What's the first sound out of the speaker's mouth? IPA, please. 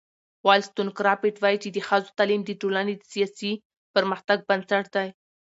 w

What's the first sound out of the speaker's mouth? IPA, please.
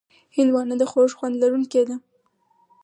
h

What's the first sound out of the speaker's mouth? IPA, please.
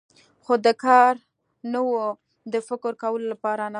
x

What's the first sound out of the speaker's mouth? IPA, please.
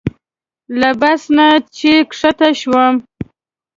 l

